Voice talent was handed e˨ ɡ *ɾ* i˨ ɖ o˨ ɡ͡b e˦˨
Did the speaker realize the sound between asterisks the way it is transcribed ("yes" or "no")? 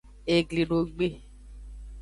no